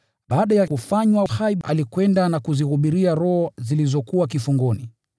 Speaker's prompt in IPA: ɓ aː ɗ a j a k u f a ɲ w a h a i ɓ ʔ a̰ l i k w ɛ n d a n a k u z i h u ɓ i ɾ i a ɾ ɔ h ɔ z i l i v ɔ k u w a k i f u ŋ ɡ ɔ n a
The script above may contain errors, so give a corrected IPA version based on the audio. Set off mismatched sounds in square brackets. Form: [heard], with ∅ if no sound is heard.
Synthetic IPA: ɓ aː ɗ a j a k u f a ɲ w a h a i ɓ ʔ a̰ l i k w ɛ n d a n a k u z i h u ɓ i ɾ i a ɾ ɔ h ɔ z i l i [z] ɔ k u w a k i f u ŋ ɡ ɔ n [i]